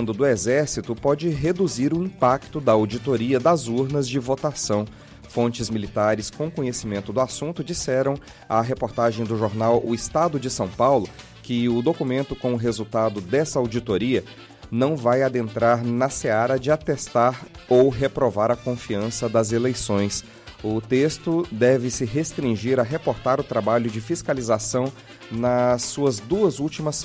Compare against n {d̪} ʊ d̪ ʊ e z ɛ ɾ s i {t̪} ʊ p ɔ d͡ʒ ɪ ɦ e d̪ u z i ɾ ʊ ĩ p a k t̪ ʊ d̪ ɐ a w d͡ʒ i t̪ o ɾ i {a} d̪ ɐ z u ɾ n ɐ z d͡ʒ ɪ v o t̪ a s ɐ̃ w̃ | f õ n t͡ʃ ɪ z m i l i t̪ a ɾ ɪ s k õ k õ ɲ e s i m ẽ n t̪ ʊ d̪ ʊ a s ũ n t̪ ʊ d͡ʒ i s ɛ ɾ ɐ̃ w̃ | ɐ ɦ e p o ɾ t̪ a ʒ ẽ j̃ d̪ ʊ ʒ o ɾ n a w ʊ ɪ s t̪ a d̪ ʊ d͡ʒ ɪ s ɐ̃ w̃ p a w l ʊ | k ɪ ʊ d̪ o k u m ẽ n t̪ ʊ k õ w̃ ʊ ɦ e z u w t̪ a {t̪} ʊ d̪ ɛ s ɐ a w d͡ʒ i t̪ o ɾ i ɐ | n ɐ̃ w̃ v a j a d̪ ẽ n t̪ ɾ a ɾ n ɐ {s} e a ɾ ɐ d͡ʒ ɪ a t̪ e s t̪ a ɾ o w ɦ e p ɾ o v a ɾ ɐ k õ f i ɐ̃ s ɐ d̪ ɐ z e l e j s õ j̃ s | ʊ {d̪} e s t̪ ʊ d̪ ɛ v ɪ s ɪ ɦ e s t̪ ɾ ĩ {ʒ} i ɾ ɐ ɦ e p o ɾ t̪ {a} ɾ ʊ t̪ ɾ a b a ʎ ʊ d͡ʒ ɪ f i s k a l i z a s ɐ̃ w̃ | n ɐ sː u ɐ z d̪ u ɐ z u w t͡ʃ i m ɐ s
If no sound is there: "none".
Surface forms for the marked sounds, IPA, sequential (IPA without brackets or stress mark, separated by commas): d̪, t̪, ɐ, d̪, s, t̪, ʒ, a